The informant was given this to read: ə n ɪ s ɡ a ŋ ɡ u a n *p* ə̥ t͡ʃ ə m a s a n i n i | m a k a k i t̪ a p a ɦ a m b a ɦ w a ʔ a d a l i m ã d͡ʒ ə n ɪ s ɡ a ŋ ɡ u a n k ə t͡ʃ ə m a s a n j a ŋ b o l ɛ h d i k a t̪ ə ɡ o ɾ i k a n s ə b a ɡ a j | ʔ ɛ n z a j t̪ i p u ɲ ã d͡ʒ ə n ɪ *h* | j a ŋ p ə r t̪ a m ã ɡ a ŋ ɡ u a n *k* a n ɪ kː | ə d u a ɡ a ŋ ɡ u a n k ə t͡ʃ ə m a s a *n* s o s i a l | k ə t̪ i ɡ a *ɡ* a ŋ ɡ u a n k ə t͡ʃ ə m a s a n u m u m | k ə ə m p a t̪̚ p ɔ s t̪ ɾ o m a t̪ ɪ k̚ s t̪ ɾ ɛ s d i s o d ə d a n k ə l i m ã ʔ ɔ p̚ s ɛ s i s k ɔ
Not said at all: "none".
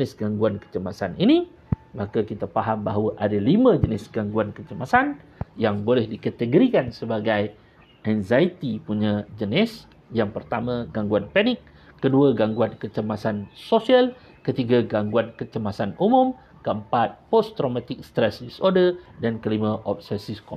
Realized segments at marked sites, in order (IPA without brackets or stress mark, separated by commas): k, s, p, n, ɡ